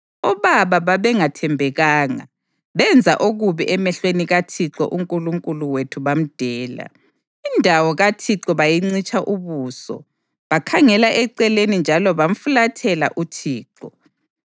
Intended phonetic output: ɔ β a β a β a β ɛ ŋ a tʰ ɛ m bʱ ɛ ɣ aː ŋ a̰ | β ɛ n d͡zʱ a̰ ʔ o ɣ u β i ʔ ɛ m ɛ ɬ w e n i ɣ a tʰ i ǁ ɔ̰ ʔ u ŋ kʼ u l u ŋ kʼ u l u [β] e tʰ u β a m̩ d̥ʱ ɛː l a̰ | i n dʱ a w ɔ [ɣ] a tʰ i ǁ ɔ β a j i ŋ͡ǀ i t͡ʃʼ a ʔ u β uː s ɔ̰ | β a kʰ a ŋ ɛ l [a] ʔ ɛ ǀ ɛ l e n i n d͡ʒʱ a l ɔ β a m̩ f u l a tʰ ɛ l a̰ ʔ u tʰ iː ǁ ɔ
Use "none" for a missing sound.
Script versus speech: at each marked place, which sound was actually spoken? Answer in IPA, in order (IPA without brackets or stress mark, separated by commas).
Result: w, ɣ, a